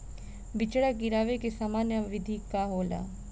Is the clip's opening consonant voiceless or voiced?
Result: voiced